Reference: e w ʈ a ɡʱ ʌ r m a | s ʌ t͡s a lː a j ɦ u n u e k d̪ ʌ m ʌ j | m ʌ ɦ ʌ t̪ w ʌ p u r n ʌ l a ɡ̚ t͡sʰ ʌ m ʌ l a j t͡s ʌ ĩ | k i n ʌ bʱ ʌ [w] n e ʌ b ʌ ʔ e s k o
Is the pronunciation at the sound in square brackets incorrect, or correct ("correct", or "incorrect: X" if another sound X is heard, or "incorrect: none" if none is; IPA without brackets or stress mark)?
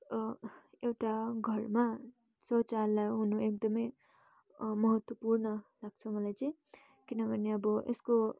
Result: incorrect: none